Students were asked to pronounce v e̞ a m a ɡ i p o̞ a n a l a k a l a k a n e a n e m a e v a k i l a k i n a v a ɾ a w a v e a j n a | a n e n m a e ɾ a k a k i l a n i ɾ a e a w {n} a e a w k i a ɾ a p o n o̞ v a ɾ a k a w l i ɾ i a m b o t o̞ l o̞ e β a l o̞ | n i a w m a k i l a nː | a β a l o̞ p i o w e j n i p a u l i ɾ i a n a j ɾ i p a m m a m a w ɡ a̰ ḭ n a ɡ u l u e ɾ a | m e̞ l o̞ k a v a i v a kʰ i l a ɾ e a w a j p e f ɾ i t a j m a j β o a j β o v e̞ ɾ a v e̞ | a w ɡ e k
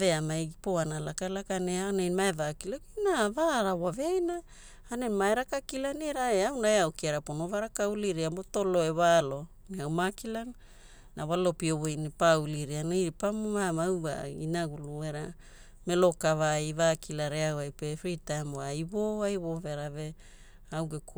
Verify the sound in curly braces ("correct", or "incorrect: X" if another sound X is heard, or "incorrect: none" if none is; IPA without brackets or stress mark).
correct